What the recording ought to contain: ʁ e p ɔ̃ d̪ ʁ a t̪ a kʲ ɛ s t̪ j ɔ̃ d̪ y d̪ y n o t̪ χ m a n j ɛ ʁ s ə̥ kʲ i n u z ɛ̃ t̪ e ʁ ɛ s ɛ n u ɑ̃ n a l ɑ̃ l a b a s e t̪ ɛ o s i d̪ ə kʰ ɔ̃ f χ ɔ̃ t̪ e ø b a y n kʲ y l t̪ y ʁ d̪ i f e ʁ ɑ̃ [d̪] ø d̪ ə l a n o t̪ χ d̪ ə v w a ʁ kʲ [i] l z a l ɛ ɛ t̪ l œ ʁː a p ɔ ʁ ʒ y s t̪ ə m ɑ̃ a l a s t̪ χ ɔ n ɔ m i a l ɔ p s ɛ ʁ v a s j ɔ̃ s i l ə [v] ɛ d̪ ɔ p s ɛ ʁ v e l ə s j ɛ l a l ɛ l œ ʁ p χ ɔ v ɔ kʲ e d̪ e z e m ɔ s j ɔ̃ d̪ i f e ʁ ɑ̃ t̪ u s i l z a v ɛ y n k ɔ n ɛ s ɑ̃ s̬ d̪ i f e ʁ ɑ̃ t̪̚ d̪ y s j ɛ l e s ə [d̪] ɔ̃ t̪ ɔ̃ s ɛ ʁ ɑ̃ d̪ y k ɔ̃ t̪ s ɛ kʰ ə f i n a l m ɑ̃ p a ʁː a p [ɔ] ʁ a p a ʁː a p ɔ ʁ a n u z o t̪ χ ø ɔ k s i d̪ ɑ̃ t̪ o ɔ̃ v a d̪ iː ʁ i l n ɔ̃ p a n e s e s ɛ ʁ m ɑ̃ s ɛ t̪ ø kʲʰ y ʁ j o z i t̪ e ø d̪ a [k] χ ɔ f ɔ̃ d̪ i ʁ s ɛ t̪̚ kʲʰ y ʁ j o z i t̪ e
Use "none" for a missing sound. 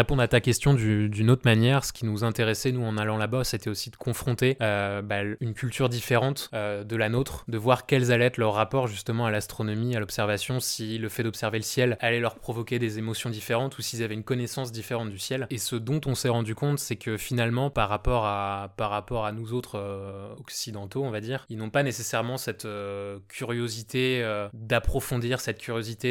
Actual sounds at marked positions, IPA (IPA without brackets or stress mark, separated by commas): t̪, ɛ, f, d̪, ɔ, p